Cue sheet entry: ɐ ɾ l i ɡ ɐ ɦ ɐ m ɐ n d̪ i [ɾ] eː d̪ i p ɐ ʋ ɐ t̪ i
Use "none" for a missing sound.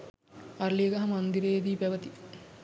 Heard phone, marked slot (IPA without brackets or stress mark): ɾ